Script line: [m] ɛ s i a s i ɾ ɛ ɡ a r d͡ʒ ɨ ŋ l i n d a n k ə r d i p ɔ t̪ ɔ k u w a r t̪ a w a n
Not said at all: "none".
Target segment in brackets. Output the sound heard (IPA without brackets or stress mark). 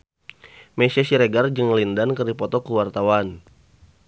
m